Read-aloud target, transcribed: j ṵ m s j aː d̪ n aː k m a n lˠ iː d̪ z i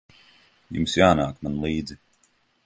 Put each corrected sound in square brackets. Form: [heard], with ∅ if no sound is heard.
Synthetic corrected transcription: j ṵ m s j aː [∅] n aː k m a n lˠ iː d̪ z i